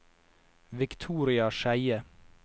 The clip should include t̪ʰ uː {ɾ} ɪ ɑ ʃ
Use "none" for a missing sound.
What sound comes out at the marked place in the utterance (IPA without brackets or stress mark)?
ɾ